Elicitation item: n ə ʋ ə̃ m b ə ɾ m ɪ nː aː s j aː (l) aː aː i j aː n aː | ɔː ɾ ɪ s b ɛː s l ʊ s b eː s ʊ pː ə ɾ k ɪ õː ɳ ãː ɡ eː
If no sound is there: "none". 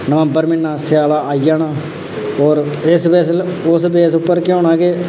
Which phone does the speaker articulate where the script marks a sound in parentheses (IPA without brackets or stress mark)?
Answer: l